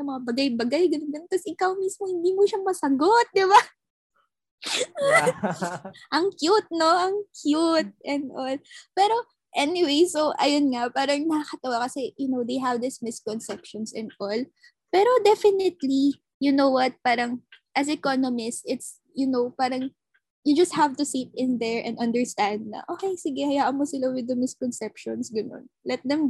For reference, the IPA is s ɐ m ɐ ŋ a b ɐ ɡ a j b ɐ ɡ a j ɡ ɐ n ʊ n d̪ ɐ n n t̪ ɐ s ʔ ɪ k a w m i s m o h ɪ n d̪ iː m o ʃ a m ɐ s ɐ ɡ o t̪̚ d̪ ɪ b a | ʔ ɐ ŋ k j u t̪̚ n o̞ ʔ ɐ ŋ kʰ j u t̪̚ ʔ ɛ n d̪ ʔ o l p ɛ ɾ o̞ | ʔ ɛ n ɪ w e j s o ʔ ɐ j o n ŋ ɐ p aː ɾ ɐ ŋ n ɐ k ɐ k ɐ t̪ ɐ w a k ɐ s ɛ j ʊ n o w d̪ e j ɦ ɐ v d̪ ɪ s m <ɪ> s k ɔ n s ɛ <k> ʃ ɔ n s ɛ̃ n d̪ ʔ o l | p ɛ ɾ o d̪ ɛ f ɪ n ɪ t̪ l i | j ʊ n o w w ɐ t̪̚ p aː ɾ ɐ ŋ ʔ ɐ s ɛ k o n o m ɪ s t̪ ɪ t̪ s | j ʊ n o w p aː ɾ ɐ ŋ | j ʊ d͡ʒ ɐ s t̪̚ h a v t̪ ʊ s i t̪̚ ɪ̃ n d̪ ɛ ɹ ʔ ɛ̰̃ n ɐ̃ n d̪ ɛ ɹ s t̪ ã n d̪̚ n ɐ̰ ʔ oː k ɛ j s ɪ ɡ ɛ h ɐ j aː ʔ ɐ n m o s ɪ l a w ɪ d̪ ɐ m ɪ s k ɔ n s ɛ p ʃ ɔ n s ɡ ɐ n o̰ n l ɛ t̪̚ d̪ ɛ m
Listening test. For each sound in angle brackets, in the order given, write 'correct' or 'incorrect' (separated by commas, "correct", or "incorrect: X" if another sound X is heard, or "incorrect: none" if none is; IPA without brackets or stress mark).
correct, incorrect: p